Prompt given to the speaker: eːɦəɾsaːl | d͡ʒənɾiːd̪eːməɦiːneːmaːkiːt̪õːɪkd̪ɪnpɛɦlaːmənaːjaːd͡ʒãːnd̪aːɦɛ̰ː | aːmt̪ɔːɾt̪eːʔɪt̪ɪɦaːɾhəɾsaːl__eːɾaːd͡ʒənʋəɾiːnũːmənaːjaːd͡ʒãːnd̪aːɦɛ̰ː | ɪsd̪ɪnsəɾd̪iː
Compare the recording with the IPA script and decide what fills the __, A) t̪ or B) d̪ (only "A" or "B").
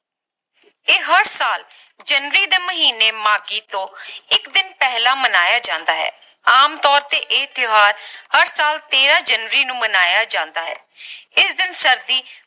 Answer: A